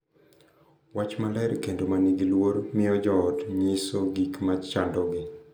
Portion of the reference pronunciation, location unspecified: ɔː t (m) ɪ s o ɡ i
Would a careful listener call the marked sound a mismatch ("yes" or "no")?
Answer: yes